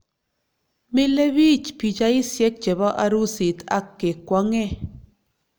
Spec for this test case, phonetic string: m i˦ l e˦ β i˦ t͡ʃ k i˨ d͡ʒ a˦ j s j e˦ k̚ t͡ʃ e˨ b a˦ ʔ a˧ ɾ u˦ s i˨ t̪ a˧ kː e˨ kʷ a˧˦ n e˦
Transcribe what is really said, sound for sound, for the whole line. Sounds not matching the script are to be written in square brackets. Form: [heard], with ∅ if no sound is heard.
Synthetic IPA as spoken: m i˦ l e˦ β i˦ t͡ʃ [p] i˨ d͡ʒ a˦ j s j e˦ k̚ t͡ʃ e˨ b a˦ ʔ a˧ ɾ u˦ s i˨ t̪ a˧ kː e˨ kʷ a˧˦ [ŋ] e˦